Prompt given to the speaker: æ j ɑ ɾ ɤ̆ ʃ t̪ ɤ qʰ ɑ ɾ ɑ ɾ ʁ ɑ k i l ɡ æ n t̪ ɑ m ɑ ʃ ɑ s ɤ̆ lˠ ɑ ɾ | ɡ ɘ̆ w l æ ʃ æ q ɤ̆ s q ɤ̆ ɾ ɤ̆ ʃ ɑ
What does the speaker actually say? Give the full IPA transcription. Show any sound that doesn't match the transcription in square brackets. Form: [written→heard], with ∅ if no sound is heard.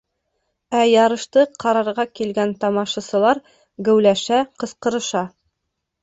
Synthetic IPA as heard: æ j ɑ ɾ ɤ̆ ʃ t̪ ɤ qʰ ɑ ɾ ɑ ɾ ʁ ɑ k i l ɡ æ n t̪ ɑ m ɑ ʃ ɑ s ɤ̆ lˠ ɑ ɾ | ɡ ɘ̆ w l æ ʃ æ q ɤ̆ s q ɤ̆ ɾ ɤ̆ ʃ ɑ